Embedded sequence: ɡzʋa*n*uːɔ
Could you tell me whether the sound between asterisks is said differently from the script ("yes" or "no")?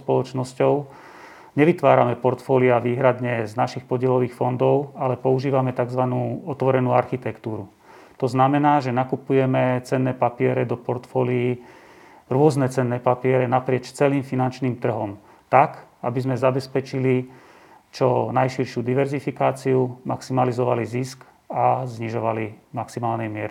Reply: no